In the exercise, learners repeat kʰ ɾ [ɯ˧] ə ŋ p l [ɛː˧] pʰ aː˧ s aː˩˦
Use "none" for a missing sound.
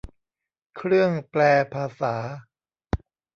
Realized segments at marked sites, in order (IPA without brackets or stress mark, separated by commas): ɯ˥˩, ɛː˧